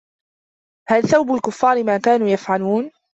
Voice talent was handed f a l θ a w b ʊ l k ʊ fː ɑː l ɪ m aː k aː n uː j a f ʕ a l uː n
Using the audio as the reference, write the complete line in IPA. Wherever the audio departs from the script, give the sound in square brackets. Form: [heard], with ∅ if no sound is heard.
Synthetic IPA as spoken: [h] a l θ a w b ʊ l k ʊ fː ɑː [ɾ] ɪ m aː k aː n uː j a f ʕ a l uː n